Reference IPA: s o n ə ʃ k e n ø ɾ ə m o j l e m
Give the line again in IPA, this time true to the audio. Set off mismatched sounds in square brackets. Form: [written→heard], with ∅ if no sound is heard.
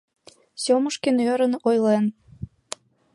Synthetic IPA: s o [n→m] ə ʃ k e n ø ɾ ə [m→n] o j l e [m→n]